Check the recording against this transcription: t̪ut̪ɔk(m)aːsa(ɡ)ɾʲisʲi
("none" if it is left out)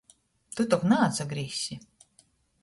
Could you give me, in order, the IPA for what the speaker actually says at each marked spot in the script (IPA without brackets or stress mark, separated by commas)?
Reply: n, ɡ